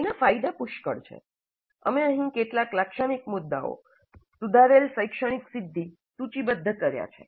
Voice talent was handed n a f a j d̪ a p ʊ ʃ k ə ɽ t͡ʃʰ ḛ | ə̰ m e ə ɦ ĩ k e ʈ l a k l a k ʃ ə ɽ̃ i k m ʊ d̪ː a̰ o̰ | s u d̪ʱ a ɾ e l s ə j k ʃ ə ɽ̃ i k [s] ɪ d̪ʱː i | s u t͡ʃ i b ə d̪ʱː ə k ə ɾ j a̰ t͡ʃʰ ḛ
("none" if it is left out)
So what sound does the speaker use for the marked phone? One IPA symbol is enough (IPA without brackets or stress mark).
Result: s